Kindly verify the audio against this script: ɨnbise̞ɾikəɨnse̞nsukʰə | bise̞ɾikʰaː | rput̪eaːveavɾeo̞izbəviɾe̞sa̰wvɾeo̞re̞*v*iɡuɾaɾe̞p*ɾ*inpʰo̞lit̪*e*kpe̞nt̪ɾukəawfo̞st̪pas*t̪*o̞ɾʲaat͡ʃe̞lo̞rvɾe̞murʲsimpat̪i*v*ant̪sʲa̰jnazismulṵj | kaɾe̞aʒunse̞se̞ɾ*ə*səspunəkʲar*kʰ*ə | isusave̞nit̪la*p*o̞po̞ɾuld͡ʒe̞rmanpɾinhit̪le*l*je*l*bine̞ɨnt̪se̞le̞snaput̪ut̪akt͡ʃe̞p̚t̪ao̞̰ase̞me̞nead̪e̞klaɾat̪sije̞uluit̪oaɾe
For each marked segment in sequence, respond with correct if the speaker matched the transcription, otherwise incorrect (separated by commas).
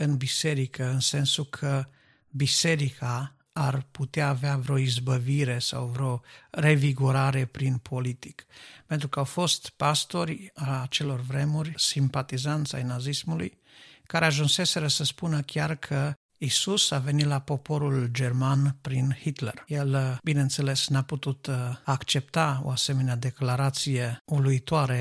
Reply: correct, correct, incorrect, correct, incorrect, correct, correct, correct, incorrect, correct